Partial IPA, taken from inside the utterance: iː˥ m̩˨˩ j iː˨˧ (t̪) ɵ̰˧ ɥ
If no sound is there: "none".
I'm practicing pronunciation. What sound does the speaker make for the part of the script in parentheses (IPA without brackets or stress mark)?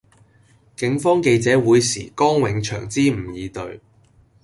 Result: t̪